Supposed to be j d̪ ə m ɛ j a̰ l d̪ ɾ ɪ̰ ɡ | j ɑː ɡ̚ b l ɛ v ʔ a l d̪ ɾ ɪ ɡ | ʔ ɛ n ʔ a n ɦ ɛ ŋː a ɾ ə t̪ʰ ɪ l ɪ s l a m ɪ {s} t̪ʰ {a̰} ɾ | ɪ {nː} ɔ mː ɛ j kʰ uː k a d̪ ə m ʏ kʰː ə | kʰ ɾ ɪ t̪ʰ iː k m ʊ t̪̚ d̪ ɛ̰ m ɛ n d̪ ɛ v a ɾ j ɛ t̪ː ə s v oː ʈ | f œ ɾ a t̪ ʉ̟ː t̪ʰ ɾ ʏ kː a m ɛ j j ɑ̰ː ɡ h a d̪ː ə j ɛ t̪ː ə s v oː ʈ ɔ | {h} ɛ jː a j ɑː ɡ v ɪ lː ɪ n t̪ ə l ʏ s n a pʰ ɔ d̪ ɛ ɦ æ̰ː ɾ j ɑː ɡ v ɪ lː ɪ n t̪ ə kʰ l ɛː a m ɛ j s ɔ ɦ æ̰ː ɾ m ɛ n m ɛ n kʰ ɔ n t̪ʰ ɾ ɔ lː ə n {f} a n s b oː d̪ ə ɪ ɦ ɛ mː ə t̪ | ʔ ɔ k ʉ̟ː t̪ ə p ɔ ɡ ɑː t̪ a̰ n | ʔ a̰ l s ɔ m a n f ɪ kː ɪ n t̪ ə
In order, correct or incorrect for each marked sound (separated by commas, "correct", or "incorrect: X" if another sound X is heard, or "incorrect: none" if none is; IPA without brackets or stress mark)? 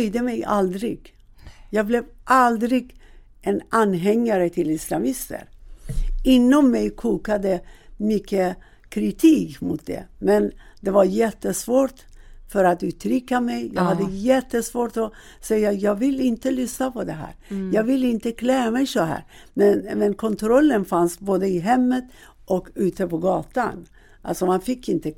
correct, incorrect: ə̰, correct, incorrect: s, correct